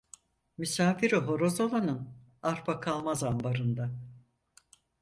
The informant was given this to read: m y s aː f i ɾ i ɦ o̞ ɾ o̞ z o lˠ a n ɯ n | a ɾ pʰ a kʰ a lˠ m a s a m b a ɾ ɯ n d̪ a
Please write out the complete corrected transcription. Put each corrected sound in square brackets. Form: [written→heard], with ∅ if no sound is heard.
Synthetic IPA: m y s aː f i ɾ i ɦ o̞ ɾ o̞ z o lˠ a n ɯ n | a ɾ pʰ a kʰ a lˠ m a [s→z] a m b a ɾ ɯ n d̪ a

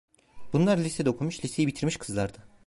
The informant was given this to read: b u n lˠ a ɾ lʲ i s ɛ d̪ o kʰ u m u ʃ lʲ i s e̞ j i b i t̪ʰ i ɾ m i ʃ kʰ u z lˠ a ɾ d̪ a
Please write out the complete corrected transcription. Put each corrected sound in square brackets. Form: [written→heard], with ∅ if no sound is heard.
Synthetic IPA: b u n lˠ a ɾ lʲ i s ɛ d̪ o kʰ u m u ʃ lʲ i s e̞ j i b i t̪ʰ i ɾ m i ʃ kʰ [u→ɯ] z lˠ a ɾ d̪ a

